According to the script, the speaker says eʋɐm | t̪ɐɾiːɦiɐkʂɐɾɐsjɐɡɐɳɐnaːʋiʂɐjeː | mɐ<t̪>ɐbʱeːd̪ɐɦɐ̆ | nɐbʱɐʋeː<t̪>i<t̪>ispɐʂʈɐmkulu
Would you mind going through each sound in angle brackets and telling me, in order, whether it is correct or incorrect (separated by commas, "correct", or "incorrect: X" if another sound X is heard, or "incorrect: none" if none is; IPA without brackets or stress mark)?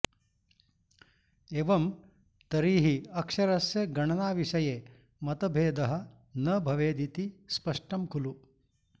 correct, incorrect: d̪, correct